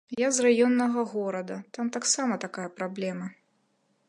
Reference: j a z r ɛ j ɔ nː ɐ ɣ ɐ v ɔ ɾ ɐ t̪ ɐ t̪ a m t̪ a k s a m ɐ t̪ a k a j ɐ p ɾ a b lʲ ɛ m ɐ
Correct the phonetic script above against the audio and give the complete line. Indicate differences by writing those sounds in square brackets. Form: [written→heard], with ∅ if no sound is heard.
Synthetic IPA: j a z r [ɛ→a] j ɔ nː ɐ ɣ ɐ [v→ɣ] ɔ ɾ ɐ [t̪→d̪] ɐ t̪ a m t̪ a k s a m ɐ t̪ a k a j ɐ p ɾ a b lʲ ɛ m ɐ